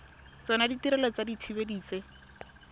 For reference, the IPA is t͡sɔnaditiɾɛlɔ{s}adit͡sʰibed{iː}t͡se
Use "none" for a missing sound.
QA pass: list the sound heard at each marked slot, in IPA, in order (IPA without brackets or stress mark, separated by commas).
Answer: t͡s, iː